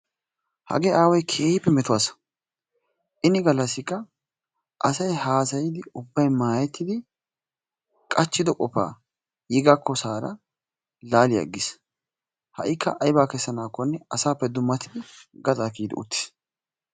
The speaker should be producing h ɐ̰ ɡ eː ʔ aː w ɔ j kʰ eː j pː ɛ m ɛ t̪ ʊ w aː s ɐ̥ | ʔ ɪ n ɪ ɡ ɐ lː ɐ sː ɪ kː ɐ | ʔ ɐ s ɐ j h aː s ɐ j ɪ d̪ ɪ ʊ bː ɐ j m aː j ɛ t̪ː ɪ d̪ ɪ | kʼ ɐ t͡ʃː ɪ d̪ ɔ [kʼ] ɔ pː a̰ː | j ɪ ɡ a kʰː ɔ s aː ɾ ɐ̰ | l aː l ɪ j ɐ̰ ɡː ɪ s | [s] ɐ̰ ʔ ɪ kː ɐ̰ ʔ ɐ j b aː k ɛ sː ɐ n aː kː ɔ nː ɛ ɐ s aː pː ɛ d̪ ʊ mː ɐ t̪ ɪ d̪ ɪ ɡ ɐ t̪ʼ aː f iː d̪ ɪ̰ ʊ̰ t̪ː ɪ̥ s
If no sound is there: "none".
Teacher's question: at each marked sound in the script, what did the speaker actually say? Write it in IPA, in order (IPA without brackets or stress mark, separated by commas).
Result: kʼ, h